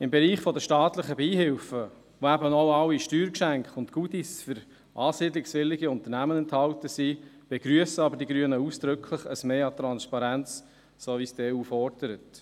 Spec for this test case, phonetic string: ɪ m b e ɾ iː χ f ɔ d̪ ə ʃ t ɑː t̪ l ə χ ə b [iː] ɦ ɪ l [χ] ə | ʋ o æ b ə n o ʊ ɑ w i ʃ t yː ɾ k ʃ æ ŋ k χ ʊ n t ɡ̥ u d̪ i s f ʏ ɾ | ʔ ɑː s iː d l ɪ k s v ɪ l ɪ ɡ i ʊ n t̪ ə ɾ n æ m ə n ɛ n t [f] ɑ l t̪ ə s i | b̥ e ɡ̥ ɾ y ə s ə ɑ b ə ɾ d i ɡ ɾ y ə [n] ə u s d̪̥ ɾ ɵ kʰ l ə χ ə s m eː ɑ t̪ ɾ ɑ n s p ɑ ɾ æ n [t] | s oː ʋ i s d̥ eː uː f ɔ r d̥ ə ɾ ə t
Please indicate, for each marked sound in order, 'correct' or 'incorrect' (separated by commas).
correct, incorrect, incorrect, correct, incorrect